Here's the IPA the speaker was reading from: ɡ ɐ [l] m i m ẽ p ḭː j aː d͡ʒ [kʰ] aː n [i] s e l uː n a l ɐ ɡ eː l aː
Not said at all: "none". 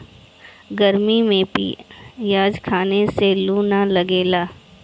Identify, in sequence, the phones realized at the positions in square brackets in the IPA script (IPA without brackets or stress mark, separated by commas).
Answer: ɾ, kʰ, e